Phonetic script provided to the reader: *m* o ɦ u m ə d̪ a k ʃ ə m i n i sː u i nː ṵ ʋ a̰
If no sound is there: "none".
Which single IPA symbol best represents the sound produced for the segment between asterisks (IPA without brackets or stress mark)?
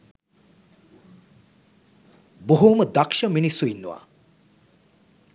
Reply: b